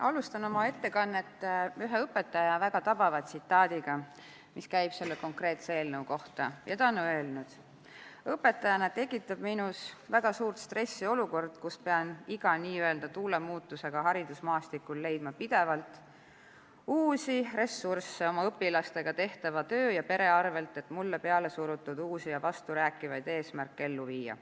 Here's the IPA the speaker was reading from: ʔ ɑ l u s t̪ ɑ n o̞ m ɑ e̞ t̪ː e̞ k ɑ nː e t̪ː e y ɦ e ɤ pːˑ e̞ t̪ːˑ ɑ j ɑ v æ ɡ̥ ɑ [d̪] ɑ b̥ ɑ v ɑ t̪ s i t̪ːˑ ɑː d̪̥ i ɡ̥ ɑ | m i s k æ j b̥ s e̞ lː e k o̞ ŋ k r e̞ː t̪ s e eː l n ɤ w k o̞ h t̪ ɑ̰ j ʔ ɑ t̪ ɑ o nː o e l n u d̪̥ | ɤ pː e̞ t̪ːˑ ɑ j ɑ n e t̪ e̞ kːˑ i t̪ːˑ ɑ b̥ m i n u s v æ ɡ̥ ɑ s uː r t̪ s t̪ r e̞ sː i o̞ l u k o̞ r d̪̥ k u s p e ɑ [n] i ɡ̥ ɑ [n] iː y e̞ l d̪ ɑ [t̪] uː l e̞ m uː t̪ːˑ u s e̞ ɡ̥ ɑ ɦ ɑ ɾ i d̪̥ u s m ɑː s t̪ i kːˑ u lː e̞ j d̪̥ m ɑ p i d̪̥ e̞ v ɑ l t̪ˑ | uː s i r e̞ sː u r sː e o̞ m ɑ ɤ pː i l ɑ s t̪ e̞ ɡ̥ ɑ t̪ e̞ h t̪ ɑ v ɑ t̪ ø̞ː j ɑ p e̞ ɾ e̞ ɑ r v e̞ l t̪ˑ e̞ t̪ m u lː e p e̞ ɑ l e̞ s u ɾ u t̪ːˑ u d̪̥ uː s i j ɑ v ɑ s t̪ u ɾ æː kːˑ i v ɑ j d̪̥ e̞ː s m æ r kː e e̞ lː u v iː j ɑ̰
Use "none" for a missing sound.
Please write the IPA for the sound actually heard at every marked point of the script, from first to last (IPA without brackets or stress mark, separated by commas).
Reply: t̪, n, n, t̪